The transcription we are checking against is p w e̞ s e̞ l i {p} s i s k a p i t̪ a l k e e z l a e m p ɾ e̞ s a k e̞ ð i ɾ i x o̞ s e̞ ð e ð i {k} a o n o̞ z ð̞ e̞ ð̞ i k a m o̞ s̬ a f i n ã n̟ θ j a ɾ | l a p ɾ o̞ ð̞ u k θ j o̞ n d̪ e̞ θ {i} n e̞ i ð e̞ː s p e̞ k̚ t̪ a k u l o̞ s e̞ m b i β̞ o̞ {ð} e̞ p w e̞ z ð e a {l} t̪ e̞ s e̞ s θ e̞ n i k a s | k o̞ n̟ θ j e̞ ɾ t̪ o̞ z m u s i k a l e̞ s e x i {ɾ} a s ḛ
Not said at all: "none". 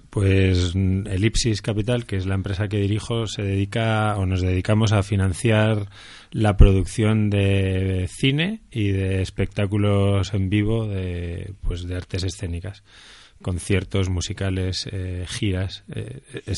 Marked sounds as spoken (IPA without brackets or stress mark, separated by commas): p, k, i, ð, ɾ, ɾ